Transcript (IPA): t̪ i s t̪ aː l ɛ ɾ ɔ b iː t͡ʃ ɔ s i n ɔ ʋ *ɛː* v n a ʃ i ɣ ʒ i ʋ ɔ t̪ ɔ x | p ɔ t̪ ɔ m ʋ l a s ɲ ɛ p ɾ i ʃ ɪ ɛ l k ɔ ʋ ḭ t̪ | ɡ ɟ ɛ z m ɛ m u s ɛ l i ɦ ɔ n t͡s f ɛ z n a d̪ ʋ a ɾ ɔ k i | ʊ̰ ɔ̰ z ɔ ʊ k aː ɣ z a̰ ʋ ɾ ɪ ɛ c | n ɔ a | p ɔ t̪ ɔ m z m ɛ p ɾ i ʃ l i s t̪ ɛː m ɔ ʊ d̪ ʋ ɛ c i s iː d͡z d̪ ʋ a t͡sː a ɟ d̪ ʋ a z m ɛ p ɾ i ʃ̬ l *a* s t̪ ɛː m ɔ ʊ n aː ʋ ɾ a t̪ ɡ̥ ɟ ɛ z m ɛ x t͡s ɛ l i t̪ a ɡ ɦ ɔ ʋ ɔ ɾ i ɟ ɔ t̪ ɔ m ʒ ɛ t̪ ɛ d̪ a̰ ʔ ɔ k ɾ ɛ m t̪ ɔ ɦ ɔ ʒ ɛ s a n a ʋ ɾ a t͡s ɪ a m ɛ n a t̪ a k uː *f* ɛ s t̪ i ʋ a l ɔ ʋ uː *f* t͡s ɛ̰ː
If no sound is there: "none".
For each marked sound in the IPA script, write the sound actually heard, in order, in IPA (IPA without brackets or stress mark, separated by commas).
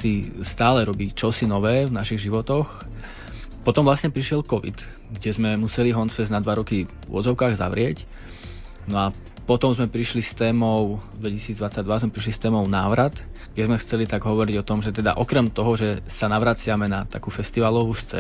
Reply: ɛː, i, f, s